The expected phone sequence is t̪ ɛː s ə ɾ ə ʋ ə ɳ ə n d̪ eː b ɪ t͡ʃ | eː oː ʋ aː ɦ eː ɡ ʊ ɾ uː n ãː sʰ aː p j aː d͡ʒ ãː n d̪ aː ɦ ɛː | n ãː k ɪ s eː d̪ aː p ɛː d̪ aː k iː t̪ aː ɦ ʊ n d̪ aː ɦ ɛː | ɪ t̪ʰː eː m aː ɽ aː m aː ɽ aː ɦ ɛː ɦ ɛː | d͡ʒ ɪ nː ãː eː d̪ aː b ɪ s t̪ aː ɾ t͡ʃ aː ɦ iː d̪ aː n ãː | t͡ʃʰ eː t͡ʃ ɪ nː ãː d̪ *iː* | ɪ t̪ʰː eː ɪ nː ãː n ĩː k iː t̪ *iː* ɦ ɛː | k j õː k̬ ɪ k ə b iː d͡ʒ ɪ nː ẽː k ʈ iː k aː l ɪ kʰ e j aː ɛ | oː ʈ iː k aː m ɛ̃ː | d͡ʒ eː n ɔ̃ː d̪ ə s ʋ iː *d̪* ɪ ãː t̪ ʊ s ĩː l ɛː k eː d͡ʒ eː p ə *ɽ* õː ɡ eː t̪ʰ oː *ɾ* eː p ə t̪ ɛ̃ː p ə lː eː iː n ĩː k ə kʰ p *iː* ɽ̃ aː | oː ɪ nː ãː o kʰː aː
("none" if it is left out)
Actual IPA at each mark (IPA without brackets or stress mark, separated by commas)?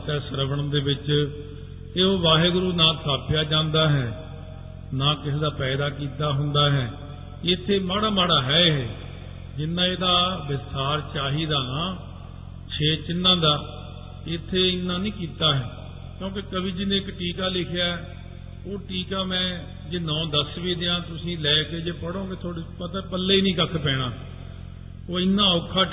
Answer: aː, aː, d̪, ɽ, ɽ, ɛː